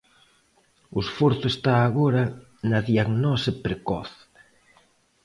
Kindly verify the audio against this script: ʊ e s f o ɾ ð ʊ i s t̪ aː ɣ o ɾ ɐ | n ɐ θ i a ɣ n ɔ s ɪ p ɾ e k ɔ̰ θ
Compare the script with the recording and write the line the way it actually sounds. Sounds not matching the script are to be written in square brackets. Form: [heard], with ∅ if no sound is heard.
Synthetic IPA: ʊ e s f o ɾ [θ] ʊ [e] s t̪ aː ɣ o ɾ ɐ | n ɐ [ð] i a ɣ n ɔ s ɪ p ɾ e k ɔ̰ θ